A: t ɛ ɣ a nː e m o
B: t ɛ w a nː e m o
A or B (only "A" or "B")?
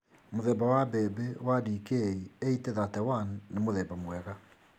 B